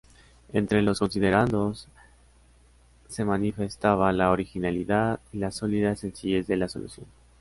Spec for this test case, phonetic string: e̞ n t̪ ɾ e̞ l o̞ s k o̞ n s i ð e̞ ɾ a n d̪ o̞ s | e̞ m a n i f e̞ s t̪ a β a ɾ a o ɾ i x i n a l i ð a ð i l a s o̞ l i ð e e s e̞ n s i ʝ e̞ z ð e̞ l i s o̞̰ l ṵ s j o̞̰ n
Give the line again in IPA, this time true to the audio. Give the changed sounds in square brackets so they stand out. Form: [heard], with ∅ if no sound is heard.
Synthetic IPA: e̞ n t̪ ɾ e̞ l o̞ s k o̞ n s i ð e̞ ɾ a n d̪ o̞ s | e̞ m a n i f e̞ s t̪ a β a [l] a o ɾ i x i n a l i ð a ð i l a s o̞ l i ð [a] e s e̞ n s i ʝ e̞ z ð e̞ l [a] s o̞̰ l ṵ s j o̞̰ n